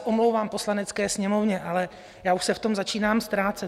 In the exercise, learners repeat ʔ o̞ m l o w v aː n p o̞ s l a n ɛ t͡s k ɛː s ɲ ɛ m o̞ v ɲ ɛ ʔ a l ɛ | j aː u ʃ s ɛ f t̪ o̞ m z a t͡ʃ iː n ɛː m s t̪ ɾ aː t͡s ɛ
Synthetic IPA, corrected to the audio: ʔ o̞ m l o w v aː m p o̞ s l a n ɛ t͡s k ɛː s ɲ ɛ m o̞ v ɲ ɛ ʔ a l ɛ | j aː u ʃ s ɛ f t̪ o̞ m z a t͡ʃ iː n aː m s t̪ ɾ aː t͡s ɛ